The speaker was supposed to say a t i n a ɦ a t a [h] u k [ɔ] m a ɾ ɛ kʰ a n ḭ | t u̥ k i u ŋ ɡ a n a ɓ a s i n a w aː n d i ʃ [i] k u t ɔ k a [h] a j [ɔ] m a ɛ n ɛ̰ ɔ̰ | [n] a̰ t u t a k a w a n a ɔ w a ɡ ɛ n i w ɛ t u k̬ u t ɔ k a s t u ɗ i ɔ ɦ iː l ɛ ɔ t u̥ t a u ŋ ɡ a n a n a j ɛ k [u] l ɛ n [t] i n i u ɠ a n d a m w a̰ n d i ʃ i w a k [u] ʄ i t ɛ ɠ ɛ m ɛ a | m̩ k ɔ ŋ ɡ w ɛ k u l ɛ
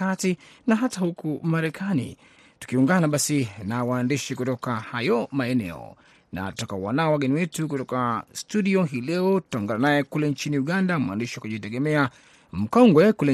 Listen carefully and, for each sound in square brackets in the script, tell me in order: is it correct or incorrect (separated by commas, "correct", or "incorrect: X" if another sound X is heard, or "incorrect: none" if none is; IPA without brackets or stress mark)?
correct, incorrect: u, correct, correct, correct, correct, correct, incorrect: t͡ʃ, correct